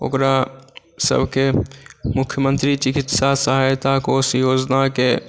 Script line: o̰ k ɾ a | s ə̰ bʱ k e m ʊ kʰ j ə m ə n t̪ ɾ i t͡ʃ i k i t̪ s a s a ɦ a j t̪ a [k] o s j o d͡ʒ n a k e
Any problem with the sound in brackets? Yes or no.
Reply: no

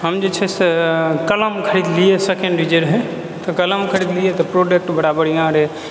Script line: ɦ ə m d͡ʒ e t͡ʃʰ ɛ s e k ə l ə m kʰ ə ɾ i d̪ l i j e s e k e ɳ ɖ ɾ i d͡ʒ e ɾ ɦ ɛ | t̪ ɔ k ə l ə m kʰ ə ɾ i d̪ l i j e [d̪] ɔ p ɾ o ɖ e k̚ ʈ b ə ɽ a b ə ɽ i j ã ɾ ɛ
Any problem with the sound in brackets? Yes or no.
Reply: yes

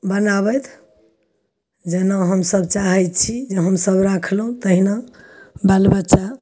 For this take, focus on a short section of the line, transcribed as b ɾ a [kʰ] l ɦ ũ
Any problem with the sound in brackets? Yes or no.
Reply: no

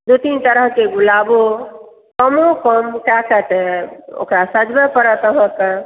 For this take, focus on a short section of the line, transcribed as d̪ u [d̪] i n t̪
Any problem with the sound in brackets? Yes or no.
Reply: yes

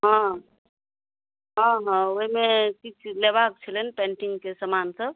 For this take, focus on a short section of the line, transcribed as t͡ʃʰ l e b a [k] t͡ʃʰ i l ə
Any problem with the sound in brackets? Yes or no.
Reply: no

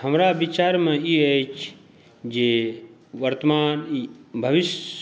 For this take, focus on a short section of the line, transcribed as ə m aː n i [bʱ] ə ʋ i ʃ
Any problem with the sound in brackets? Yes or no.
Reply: no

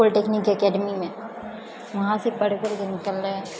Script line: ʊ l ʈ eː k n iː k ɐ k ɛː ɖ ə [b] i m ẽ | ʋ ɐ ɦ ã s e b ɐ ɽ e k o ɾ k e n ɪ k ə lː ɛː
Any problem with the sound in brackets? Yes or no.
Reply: yes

